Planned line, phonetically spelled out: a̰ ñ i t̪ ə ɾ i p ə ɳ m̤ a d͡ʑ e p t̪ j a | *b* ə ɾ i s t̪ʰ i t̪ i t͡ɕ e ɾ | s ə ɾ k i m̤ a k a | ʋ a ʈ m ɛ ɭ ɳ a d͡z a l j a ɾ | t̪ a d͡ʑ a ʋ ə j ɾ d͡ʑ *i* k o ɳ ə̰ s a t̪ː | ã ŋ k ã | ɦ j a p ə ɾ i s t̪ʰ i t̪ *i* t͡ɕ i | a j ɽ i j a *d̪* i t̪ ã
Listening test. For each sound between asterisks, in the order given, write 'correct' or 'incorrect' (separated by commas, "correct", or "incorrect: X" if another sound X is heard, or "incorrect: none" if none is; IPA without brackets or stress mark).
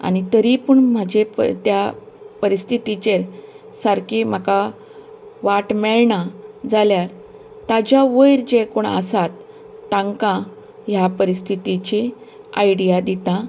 incorrect: p, incorrect: e, correct, correct